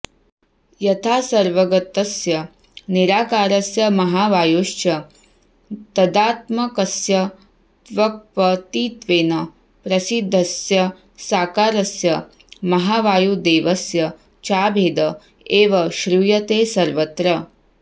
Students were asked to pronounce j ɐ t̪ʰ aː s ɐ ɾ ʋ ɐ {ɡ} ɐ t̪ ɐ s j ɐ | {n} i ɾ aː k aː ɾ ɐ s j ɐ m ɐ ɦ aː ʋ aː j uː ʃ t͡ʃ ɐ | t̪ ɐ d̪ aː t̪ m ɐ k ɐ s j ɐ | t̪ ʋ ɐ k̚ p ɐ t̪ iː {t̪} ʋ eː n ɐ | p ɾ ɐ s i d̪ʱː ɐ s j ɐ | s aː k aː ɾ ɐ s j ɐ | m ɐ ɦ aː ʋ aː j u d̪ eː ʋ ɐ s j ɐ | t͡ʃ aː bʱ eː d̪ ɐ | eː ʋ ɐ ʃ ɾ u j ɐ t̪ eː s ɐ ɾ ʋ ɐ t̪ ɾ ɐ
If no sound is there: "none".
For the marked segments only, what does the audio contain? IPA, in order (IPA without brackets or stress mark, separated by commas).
ɡ, n, t̪